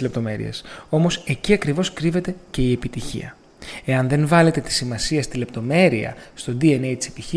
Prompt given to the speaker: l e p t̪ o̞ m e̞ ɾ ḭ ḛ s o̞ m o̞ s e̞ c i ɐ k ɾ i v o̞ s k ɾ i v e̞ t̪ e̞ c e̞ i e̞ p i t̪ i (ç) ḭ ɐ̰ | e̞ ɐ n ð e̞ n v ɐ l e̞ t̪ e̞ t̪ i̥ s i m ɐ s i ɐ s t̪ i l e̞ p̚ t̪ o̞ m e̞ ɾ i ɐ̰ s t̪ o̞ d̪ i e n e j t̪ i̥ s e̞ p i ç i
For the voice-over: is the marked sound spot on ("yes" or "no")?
yes